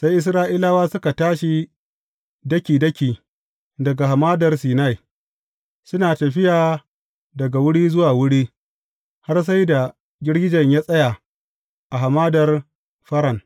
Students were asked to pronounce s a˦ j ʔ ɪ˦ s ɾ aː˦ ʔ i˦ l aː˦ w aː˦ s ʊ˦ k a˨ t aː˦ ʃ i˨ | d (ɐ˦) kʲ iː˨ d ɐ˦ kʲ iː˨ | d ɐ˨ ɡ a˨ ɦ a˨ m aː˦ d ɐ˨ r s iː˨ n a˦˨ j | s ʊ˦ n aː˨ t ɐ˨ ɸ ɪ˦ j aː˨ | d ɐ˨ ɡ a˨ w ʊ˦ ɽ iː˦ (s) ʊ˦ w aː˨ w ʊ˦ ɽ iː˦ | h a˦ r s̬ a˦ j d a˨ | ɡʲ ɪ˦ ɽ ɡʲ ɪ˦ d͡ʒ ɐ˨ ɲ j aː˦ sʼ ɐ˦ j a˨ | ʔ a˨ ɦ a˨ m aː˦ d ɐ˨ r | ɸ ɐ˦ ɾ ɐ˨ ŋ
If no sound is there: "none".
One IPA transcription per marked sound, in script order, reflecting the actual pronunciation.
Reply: ɐ˦, z

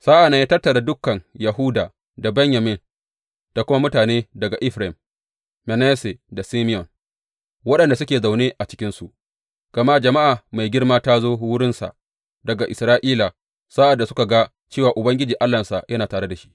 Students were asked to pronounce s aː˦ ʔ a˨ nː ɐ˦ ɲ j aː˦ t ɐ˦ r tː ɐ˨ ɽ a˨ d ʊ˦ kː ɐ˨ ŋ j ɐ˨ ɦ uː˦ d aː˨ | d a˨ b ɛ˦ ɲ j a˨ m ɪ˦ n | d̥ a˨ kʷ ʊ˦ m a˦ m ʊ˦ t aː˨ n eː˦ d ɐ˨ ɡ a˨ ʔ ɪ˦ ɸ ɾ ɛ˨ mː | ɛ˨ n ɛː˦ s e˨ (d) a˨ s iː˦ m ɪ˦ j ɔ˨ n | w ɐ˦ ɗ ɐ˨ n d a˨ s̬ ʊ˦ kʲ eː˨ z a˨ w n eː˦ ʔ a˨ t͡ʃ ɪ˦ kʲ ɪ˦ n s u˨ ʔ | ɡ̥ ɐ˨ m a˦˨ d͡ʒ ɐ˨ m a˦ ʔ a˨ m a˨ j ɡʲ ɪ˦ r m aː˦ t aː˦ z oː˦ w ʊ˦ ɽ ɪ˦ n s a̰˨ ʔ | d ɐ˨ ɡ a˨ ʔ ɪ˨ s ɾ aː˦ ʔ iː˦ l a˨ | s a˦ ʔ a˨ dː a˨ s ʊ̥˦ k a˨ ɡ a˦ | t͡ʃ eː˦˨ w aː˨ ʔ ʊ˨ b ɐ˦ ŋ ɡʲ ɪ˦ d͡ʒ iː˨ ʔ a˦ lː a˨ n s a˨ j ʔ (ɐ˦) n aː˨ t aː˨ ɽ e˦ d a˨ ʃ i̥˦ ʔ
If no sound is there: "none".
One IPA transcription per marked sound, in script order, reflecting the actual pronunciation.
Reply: d, ɐ˦

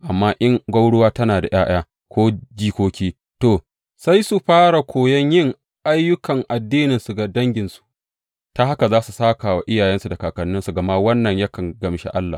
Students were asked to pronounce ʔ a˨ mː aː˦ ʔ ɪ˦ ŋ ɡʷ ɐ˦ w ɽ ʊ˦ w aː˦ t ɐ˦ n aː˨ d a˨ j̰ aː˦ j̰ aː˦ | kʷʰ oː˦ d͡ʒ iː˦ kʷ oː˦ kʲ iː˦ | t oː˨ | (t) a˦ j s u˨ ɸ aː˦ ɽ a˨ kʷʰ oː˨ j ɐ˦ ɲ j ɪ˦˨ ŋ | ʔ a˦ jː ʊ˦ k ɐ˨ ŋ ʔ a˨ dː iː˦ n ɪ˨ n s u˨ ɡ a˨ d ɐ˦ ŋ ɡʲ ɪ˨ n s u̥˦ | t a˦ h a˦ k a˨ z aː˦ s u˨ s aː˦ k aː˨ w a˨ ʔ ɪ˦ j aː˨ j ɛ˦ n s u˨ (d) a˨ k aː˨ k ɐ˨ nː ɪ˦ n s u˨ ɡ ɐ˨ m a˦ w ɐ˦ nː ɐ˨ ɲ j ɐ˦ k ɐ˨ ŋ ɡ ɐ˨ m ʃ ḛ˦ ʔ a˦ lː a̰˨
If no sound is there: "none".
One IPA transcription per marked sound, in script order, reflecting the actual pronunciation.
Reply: s, d

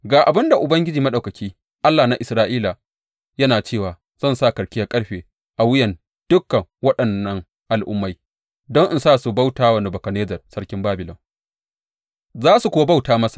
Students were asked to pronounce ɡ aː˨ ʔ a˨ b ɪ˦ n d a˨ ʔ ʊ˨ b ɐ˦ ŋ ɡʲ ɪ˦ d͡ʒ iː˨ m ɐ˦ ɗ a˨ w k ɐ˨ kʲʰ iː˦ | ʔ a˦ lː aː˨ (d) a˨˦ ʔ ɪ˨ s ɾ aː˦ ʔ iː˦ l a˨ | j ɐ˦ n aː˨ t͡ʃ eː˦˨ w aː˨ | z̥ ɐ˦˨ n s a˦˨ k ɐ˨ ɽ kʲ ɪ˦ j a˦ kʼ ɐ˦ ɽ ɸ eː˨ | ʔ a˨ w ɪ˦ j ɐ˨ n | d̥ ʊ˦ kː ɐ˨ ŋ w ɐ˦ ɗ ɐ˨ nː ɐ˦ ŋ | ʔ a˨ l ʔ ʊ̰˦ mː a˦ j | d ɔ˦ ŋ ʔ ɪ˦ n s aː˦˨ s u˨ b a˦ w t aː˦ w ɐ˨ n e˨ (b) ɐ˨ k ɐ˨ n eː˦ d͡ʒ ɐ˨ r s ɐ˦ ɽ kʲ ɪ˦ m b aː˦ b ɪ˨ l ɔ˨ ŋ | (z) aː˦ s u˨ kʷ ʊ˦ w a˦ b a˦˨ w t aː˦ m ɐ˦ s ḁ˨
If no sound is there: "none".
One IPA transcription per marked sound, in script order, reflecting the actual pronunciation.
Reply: n, b, z

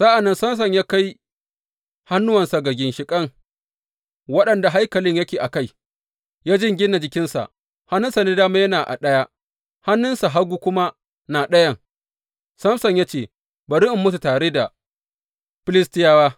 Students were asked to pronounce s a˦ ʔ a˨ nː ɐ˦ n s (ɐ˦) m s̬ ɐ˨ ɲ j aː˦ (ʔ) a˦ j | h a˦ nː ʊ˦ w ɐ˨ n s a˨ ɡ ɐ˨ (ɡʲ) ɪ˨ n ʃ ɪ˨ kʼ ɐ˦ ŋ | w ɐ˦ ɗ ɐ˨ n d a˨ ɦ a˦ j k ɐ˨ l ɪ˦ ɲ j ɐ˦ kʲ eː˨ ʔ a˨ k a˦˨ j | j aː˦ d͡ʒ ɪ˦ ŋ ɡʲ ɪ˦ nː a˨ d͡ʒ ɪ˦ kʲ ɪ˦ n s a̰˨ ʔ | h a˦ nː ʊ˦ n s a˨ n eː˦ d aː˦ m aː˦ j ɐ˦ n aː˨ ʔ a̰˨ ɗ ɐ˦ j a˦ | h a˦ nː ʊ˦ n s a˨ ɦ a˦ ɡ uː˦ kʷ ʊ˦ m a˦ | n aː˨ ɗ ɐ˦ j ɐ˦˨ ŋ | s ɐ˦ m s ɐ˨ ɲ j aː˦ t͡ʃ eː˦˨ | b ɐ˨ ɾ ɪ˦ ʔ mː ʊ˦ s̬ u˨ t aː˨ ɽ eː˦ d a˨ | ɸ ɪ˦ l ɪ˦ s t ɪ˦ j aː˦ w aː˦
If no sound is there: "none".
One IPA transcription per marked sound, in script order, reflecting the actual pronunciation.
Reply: ɐ˦, k, ɡʲ

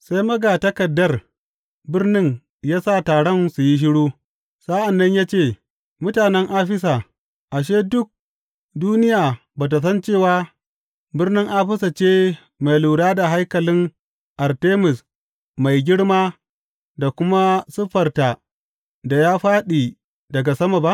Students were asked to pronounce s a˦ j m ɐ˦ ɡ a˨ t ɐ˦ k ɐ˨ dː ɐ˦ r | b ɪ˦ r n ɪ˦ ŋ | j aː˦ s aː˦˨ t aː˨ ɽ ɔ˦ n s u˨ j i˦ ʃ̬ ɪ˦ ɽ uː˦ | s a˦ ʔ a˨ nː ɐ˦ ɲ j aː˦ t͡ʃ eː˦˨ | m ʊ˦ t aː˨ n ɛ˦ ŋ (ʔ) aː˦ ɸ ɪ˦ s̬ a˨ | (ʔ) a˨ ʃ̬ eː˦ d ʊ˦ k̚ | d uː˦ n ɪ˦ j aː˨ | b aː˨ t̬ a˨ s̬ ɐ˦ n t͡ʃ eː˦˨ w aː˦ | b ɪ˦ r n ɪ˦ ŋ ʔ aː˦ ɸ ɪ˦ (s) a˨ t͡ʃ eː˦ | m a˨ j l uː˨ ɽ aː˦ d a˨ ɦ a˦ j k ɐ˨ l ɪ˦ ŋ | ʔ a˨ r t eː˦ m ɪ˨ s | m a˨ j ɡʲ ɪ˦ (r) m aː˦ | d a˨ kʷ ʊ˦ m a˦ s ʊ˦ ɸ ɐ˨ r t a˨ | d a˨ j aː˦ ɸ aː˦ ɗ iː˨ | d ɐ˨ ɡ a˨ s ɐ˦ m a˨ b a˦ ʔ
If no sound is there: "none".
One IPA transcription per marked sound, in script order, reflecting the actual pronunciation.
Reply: ʔ, ʔ, s, ɽ

